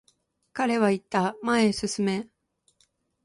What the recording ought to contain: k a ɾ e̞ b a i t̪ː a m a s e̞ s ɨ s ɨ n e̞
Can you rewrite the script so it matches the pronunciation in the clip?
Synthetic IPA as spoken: k a ɾ e̞ β a i t̪ː a m a e̞ s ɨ s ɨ m e̞